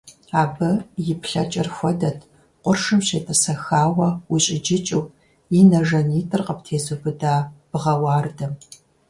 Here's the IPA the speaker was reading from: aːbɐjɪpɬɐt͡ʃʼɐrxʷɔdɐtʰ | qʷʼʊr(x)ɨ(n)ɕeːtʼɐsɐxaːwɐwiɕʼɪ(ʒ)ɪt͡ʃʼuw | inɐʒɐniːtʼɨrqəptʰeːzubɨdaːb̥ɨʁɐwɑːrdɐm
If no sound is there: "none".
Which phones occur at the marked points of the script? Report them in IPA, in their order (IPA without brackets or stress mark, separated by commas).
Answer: ʂ, m, d͡ʒ